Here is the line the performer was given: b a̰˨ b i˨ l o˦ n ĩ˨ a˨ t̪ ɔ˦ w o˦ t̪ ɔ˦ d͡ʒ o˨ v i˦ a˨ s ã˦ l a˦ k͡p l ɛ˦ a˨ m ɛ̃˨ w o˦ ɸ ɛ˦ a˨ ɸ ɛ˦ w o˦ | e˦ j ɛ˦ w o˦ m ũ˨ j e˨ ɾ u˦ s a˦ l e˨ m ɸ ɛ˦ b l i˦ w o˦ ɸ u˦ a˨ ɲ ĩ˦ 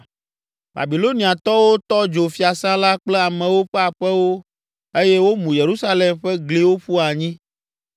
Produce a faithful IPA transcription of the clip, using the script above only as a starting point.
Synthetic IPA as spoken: b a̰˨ b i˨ l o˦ n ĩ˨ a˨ t̪ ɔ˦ w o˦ t̪ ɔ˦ d͡ʒ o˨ f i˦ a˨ s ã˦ l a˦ k͡p l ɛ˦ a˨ m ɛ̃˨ w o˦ ɸ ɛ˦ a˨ ɸ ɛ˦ w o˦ | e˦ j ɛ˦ w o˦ m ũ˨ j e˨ ɾ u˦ s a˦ l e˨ m ɸ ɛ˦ ɡ l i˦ w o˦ ɸ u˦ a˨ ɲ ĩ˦